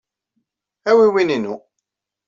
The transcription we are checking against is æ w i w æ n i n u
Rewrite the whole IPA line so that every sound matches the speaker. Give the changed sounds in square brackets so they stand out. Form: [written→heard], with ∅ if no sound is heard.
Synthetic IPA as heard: æ w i w [æ→i] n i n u